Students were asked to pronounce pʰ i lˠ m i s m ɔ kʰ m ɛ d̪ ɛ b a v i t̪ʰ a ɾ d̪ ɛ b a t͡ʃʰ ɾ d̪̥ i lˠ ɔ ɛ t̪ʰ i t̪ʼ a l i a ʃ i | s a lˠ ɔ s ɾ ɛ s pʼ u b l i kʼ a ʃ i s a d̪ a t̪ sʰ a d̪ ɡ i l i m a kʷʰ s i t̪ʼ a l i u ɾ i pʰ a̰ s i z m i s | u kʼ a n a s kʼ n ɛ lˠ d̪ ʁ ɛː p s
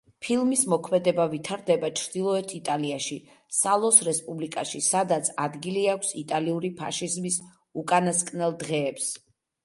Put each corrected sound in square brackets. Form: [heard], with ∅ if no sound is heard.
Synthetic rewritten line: pʰ i lˠ m i s m ɔ kʰ m ɛ d̪ ɛ b a v i t̪ʰ a ɾ d̪ ɛ b a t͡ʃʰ ɾ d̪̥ i lˠ ɔ ɛ t̪ʰ i t̪ʼ a l i a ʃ i | s a lˠ ɔ s ɾ ɛ s pʼ u b l i kʼ a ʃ i s a d̪ a t̪ sʰ a d̪ ɡ i l i [∅] a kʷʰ s i t̪ʼ a l i u ɾ i pʰ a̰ [ʃ] i z m i s | u kʼ a n a s kʼ n ɛ lˠ d̪ ʁ ɛː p s